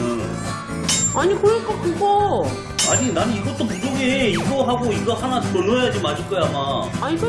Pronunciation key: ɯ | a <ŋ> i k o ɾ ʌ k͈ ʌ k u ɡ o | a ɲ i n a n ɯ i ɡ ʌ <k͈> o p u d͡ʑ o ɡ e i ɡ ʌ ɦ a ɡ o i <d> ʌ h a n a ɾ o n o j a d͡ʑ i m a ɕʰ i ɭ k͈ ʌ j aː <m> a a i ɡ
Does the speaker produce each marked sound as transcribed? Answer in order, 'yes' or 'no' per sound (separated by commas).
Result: no, no, no, yes